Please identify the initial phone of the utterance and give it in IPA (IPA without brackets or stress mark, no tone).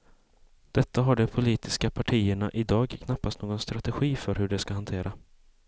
d̪̥